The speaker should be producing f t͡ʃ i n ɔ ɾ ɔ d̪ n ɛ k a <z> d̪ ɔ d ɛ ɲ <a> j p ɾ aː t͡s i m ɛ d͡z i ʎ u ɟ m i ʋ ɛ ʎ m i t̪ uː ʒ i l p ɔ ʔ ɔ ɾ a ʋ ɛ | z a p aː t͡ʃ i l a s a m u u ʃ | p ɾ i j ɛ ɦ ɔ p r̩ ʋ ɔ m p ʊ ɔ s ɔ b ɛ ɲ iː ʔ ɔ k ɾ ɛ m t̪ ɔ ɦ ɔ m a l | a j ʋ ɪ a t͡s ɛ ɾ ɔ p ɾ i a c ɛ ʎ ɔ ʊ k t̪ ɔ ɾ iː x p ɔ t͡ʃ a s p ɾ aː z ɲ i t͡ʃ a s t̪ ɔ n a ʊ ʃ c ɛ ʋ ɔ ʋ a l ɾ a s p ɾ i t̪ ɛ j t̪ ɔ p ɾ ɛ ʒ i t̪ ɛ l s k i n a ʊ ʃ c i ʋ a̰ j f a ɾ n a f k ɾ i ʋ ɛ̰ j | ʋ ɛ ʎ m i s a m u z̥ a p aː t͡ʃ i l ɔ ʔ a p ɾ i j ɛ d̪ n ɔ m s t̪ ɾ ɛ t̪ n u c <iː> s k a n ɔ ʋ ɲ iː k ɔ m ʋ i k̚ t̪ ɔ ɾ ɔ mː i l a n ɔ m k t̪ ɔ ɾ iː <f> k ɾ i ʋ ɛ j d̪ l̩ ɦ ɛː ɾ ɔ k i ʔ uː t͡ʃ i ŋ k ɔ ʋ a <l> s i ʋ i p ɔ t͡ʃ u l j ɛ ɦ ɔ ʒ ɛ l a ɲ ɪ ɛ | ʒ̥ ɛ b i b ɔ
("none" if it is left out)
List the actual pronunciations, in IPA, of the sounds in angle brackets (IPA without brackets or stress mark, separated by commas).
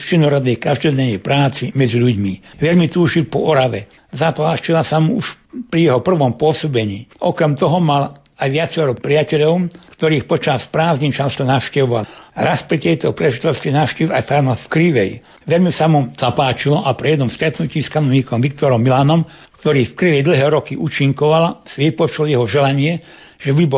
ʒ, ɛ, iː, f, l